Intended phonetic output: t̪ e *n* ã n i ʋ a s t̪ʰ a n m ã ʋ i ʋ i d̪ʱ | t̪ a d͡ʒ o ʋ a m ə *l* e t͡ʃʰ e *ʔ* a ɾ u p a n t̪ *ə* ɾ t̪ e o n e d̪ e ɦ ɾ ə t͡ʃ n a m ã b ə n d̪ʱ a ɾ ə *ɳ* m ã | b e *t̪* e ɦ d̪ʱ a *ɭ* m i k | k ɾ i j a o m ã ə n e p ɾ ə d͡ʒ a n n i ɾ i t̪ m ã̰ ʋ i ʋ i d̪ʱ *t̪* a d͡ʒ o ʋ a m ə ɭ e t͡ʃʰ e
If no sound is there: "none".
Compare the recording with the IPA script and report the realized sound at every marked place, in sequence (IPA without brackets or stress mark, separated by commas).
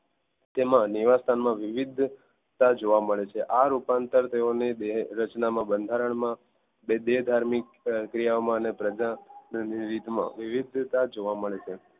m, ɭ, ʔ, ə, ɳ, d̪, ɾ, t̪